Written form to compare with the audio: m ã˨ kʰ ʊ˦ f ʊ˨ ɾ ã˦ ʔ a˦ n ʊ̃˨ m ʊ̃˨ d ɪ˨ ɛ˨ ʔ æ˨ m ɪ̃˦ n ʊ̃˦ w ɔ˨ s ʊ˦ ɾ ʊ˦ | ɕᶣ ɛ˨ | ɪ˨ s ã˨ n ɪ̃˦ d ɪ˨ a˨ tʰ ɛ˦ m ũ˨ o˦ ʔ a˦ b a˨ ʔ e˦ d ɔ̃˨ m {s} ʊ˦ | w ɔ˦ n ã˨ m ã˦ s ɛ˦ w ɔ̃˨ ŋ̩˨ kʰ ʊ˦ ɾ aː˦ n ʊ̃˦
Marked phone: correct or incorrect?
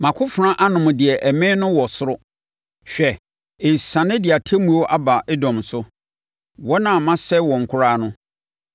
correct